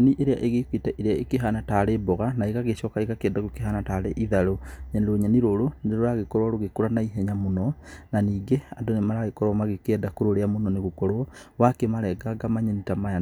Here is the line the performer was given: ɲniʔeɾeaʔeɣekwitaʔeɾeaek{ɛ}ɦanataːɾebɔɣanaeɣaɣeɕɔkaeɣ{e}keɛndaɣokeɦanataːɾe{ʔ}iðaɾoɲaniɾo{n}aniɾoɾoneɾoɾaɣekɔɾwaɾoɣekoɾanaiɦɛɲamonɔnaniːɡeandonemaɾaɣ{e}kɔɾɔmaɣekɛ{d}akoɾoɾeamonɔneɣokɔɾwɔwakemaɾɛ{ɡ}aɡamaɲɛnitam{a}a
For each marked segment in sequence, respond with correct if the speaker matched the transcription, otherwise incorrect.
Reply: incorrect, incorrect, correct, incorrect, correct, correct, correct, correct

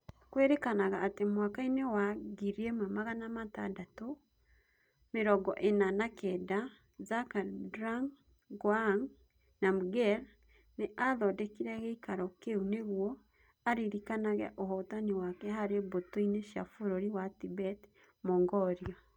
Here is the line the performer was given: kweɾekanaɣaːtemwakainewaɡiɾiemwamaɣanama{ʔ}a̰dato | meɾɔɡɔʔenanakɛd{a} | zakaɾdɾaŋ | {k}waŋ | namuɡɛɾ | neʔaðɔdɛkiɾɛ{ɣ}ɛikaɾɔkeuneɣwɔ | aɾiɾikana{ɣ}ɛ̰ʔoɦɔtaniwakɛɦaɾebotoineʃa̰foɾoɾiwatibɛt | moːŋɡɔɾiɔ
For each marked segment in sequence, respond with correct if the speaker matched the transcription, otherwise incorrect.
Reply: incorrect, correct, incorrect, correct, correct

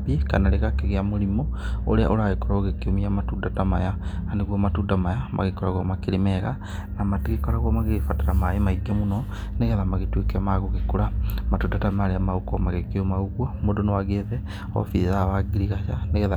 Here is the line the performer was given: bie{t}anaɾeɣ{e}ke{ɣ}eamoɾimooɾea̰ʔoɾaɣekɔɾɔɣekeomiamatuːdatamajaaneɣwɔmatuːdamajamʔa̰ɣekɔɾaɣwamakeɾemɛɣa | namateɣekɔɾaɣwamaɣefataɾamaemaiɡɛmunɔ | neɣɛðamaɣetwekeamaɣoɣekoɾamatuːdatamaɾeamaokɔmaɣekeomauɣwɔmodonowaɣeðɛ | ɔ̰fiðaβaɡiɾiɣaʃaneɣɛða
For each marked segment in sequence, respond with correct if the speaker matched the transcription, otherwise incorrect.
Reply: incorrect, incorrect, correct

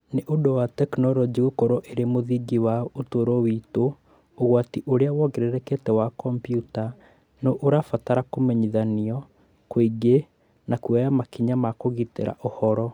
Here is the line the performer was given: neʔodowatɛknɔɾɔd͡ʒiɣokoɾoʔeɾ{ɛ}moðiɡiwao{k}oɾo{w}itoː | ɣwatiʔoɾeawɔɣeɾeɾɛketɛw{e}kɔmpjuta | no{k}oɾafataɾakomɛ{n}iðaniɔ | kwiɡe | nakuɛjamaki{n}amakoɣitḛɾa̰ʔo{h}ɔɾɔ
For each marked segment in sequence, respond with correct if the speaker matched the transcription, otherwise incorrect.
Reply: incorrect, incorrect, correct, incorrect, incorrect, incorrect, incorrect, correct

